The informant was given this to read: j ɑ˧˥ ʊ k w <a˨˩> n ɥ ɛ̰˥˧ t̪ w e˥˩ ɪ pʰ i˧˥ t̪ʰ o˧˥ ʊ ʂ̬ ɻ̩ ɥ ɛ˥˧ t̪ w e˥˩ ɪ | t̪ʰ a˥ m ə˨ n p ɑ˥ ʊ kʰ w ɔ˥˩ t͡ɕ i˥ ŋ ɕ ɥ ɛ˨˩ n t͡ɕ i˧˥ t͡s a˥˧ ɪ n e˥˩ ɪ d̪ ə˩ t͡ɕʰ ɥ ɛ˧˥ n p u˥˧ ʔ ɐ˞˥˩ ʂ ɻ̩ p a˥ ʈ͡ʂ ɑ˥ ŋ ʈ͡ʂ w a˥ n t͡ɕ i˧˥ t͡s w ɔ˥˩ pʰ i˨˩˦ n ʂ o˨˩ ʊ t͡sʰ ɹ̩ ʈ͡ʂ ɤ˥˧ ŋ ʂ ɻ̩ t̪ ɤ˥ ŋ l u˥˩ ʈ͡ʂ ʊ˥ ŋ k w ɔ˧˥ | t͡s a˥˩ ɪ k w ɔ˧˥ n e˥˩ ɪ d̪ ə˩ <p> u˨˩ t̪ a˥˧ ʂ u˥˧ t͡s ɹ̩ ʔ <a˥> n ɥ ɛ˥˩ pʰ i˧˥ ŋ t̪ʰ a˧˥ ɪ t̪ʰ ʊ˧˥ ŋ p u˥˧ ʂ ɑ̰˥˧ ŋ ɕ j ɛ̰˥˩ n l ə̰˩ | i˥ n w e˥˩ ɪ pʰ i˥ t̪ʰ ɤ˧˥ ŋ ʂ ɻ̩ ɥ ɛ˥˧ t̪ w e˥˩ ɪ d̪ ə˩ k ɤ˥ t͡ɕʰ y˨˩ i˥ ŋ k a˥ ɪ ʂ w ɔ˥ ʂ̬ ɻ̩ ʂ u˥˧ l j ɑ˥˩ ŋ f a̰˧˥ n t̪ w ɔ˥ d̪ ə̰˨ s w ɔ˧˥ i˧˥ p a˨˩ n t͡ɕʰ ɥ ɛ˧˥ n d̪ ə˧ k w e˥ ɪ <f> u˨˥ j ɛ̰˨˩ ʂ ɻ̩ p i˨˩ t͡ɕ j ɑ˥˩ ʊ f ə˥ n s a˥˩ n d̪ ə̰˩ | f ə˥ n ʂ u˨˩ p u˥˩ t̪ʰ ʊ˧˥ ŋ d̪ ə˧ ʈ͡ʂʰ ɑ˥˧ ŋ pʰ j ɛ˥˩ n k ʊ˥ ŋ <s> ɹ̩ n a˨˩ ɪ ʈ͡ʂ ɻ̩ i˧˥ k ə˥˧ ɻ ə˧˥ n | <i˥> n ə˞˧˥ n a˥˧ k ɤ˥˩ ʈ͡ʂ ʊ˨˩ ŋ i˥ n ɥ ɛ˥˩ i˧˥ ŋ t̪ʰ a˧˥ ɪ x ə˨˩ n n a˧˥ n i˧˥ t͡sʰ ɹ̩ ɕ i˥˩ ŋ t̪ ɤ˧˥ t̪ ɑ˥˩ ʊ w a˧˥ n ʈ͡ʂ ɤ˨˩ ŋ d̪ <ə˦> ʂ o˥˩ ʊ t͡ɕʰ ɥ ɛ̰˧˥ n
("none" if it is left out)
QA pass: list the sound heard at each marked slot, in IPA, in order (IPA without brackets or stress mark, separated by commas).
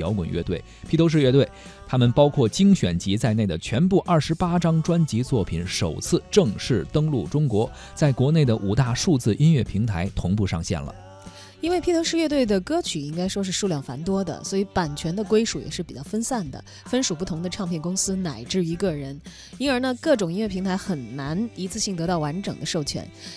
ə˨˩, ʔ, i˥, ʂ, s, i˥, ə˦